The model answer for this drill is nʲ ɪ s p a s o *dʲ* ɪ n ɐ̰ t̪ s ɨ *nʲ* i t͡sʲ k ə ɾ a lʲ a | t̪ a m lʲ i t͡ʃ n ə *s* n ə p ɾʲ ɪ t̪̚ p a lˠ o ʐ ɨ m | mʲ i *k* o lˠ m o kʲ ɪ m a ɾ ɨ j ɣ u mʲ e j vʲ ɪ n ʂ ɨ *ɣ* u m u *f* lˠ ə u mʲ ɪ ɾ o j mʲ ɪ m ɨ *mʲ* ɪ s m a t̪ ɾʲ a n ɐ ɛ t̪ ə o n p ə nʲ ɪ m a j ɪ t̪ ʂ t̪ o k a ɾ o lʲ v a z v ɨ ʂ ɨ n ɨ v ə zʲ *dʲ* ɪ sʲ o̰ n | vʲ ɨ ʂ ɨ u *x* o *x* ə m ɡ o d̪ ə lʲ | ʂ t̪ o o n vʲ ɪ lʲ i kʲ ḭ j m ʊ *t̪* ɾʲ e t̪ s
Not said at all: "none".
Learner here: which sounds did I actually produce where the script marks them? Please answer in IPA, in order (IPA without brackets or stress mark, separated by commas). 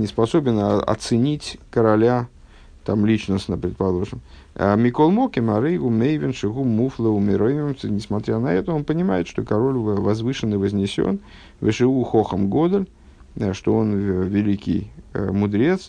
bʲ, nʲ, s, k, ɣ, f, nʲ, nʲ, x, x, d̪